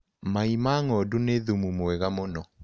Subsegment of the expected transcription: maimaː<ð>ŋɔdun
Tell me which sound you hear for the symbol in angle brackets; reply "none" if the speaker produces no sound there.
none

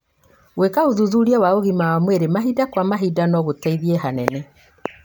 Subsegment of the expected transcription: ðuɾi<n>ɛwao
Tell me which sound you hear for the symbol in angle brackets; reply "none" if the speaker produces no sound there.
none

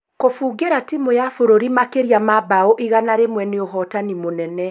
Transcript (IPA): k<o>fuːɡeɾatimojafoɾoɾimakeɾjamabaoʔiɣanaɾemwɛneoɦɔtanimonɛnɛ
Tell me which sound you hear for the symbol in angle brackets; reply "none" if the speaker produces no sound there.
o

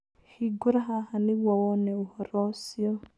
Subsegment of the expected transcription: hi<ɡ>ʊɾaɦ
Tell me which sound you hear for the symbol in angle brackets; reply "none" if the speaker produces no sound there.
ɡ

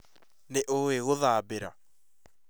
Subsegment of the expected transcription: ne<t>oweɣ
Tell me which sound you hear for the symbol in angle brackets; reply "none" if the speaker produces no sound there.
ʔ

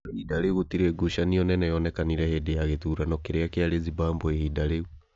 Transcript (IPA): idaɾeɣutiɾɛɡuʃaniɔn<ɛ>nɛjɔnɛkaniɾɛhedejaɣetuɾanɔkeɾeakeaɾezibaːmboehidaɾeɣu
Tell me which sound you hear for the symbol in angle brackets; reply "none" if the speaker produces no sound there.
ɛ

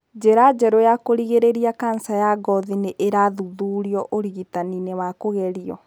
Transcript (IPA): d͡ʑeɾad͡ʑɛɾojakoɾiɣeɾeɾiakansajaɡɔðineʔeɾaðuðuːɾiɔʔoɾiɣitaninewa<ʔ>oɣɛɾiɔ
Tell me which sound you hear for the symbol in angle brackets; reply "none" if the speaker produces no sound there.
k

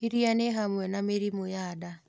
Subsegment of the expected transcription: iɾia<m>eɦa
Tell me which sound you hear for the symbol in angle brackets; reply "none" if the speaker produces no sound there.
n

